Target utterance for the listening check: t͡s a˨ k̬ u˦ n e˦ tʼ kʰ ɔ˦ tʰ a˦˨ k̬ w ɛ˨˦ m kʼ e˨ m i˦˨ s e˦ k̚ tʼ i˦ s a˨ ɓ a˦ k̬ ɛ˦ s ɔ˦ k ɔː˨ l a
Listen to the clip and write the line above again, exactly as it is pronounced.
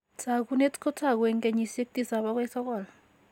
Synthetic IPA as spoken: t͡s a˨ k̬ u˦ n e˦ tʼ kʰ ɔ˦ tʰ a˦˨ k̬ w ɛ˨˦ ŋ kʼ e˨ ɲ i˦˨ s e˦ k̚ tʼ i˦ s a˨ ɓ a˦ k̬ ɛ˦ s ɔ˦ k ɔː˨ l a